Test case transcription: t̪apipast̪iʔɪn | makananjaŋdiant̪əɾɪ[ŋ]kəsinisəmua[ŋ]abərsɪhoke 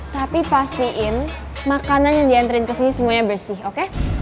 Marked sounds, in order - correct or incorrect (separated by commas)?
incorrect, incorrect